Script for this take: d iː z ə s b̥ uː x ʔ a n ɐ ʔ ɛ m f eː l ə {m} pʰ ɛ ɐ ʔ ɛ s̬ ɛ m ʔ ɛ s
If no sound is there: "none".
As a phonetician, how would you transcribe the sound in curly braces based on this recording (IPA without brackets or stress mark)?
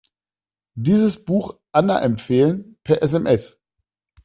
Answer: n